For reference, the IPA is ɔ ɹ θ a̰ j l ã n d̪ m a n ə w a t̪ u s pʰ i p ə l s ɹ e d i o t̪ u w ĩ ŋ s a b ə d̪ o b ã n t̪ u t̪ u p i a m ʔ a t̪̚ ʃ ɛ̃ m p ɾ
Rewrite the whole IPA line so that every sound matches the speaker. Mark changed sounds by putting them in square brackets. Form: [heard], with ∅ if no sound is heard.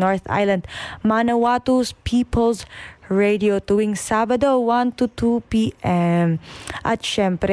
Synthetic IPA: ɔ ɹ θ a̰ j l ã n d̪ m a n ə w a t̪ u s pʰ i p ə l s ɹ e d i o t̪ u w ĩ ŋ s a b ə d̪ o [w] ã n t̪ u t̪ u p i [ɛ] m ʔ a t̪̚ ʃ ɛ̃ m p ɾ